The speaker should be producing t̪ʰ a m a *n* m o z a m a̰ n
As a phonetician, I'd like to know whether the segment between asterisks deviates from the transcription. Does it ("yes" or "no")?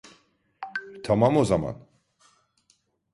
yes